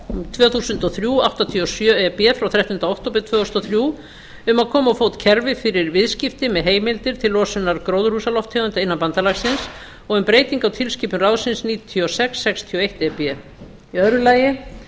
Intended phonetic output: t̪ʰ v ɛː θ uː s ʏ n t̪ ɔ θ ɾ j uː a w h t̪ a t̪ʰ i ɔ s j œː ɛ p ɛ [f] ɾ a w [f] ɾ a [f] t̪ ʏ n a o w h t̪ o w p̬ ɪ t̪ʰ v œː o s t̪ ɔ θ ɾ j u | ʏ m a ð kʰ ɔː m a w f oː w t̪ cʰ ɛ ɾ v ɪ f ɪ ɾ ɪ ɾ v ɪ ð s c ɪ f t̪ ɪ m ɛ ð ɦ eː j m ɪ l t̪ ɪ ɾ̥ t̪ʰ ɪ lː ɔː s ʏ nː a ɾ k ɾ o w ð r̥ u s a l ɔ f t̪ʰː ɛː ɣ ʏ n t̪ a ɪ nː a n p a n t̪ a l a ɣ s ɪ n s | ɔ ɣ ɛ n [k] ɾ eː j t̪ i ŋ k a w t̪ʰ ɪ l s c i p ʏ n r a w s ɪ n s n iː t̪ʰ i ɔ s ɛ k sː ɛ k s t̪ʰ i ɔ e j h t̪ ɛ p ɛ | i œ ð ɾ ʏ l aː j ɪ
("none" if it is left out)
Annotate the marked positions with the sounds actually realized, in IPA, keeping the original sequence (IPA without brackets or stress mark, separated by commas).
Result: f, θ, h, p